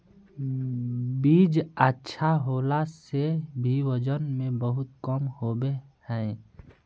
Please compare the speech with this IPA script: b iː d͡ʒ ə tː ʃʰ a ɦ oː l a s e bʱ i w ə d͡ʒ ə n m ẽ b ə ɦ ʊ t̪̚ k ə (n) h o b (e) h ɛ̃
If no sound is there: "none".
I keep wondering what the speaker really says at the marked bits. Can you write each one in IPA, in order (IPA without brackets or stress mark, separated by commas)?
m, e